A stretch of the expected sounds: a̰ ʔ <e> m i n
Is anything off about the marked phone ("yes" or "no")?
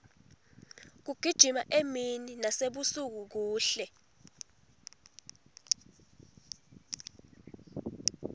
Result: no